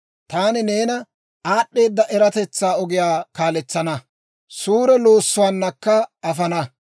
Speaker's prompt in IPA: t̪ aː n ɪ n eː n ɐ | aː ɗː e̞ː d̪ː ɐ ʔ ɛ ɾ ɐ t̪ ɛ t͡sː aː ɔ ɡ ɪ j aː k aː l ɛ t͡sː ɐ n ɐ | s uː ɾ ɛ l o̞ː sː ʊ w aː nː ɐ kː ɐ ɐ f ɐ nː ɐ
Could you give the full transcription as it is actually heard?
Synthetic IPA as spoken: t̪ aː n ɪ n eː n ɐ | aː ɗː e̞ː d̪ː ɐ ʔ ɛ ɾ ɐ t̪ ɛ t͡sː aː ɔ ɡ ɪ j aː k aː l ɛ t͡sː ɐ n ɐ | s uː ɾ ɛ l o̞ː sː ʊ w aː nː ɐ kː ɐ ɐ f ɐ n ɐ